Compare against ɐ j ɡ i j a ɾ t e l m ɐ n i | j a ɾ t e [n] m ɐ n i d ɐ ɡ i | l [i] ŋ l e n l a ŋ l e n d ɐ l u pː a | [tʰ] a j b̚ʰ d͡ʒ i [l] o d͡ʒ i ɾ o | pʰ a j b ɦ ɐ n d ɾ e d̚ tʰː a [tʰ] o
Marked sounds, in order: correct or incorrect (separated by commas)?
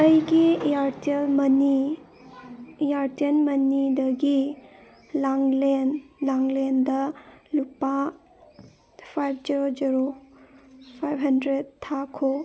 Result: correct, incorrect, incorrect, incorrect, incorrect